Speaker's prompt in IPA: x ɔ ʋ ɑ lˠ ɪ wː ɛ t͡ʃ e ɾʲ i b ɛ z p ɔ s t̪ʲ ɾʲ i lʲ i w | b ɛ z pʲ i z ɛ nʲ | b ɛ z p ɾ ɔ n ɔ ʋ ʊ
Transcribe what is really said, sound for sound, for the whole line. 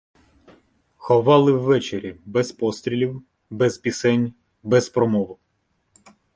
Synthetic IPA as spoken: x ɔ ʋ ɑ lˠ ɪ wː ɛ t͡ʃ e ɾʲ i b ɛ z p ɔ s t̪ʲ ɾʲ i lʲ i w | b ɛ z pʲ i s ɛ nʲ | b ɛ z p ɾ ɔ m ɔ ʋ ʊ